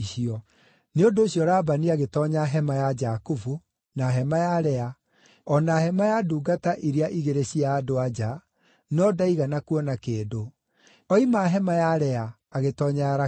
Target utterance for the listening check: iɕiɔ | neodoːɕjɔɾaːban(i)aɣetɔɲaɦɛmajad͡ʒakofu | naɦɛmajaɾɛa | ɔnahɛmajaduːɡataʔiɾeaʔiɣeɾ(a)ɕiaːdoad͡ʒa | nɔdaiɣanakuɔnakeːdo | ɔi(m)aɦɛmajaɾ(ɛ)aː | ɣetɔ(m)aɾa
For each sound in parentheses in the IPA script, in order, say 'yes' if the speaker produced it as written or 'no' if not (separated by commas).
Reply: yes, no, yes, yes, no